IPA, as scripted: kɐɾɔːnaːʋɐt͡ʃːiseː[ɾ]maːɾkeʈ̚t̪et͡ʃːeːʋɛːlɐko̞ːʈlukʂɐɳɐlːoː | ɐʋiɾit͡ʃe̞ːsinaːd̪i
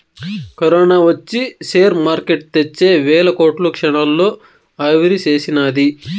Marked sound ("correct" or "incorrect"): correct